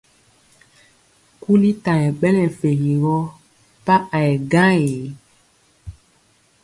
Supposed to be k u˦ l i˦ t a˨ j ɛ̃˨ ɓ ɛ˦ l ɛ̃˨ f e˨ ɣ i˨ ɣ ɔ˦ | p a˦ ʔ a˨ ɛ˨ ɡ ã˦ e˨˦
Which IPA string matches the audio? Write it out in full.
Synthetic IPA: k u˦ l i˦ t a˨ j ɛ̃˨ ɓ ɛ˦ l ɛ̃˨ f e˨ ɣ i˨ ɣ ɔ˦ | p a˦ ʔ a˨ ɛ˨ ɡ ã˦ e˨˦